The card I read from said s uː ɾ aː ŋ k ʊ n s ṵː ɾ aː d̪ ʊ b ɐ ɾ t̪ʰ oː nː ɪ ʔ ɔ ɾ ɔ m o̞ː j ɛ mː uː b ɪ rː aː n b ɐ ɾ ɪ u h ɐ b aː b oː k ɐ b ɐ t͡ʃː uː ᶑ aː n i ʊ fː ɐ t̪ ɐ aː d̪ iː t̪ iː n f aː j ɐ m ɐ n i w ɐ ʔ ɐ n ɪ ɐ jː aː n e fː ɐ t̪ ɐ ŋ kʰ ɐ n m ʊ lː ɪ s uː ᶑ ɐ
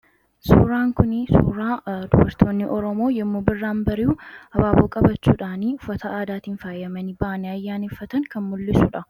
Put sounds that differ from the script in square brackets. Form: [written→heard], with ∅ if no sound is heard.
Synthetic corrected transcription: s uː ɾ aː ŋ k ʊ n s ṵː ɾ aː d̪ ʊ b ɐ ɾ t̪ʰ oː nː ɪ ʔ ɔ ɾ ɔ m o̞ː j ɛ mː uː b ɪ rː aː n b ɐ ɾ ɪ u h ɐ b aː b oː [k→kʼ] ɐ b ɐ t͡ʃː uː ᶑ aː n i ʊ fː ɐ t̪ ɐ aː d̪ [iː→aː] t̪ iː n f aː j ɐ m ɐ n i [w→b] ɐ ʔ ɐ n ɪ ɐ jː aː n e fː ɐ t̪ ɐ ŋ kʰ ɐ n m ʊ lː ɪ s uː ᶑ ɐ